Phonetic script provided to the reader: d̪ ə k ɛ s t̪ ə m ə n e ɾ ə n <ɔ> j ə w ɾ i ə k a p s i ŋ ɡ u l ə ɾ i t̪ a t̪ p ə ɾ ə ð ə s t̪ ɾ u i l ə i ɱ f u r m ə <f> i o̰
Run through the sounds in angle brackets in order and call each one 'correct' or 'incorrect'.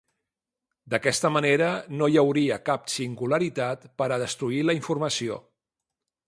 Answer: incorrect: o, incorrect: s

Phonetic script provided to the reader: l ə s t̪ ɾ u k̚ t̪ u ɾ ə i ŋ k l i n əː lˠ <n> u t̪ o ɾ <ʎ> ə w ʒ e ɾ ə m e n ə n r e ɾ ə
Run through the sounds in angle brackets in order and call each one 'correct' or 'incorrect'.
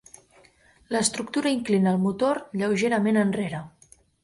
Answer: incorrect: m, correct

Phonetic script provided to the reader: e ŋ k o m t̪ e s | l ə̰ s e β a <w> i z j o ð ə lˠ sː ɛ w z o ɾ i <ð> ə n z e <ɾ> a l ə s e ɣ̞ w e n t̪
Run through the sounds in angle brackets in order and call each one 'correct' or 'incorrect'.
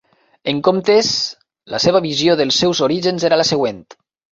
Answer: incorrect: β, incorrect: ʒ, correct

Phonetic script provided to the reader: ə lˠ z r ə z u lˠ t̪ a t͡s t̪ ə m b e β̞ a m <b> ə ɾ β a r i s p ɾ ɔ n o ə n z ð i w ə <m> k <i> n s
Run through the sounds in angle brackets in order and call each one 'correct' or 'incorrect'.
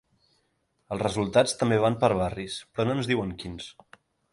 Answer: incorrect: p, incorrect: ŋ, correct

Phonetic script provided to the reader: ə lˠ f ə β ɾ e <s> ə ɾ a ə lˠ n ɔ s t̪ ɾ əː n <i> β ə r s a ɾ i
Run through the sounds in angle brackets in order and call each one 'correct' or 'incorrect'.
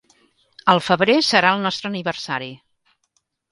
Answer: correct, correct

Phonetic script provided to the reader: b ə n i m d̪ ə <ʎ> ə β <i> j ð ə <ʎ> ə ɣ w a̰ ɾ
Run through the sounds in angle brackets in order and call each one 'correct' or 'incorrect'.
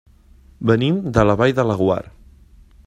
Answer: incorrect: l, incorrect: a, incorrect: l

